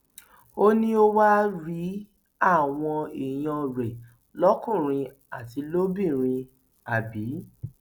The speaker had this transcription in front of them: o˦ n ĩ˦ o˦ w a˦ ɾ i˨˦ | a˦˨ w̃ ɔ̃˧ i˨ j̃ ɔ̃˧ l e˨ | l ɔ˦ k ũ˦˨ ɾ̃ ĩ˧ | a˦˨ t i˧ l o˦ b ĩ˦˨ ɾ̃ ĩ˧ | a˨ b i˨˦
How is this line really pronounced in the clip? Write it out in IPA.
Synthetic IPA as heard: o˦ n ĩ˦ o˦ w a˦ ɾ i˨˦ | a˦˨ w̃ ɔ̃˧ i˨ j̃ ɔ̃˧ ɾ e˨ | l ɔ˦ k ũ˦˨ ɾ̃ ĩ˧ | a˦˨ t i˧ l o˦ b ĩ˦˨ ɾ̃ ĩ˧ | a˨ b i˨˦